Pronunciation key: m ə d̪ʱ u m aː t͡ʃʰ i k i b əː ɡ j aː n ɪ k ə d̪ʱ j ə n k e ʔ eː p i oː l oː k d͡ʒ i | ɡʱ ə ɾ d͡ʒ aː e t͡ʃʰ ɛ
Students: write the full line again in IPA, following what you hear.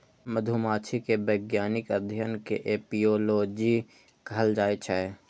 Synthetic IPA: m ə d̪ʱ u m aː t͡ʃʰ i k e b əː ɡ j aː n ɪ k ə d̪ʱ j ə n k e ʔ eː p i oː l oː d͡ʒ i | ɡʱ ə l d͡ʒ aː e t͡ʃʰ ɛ